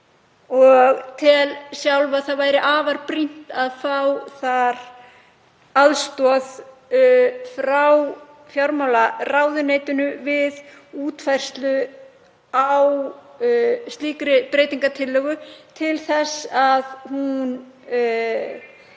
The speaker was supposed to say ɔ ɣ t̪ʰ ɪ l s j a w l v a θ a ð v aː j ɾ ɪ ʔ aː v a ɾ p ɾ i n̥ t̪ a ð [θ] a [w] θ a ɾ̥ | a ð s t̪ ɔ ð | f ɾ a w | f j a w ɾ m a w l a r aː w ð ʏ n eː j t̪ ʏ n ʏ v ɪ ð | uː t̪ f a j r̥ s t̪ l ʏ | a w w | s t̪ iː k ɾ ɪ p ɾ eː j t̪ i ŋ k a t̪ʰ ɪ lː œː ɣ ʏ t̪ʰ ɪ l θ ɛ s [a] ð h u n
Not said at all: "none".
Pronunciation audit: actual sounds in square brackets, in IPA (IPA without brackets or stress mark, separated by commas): f, w, a